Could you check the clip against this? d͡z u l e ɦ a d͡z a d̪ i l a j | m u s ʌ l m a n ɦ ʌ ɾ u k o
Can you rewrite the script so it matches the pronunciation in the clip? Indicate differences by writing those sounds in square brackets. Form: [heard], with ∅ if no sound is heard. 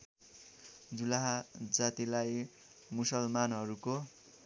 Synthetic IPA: d͡z u l [a] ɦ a d͡z a [t̪] i l a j | m u s ʌ l m a n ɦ ʌ ɾ u k o